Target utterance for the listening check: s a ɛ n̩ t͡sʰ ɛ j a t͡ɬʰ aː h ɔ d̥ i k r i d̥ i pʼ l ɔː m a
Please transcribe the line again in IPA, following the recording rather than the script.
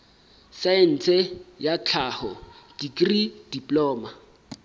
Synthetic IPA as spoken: s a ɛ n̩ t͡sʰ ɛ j a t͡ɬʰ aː h ɔ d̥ i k r i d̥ i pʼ l ɔː m a